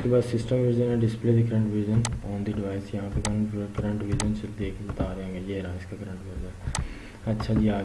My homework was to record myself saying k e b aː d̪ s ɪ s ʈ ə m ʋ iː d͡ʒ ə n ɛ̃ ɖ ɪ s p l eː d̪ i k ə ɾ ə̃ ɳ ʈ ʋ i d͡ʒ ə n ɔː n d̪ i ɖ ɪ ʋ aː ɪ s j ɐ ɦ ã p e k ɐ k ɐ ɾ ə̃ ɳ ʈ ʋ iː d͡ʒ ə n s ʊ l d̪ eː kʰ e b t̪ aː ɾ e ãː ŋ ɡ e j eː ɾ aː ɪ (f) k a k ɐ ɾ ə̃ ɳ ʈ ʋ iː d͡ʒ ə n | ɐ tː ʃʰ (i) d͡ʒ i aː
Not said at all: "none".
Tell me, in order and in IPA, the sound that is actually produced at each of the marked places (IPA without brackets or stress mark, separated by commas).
s, a